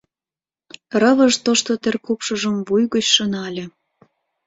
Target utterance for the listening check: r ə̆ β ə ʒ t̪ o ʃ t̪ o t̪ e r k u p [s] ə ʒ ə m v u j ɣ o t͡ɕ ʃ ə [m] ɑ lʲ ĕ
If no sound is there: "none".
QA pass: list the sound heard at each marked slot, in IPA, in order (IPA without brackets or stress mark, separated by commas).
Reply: ʃ, n